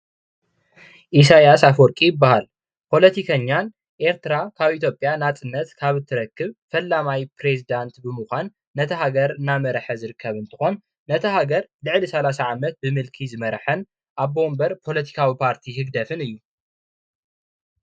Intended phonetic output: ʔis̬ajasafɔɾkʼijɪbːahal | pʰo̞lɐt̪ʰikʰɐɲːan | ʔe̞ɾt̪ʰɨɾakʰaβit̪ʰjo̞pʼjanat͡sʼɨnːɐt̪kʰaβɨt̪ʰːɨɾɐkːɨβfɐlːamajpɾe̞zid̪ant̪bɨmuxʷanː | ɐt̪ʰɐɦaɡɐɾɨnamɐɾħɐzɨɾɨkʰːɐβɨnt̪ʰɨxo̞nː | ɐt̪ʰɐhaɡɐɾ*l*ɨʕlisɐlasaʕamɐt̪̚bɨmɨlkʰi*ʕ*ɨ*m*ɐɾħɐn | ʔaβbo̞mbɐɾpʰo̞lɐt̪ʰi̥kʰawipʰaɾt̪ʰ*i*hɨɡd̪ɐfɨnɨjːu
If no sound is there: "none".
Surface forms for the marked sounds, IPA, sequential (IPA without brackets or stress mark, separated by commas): l, z, m, i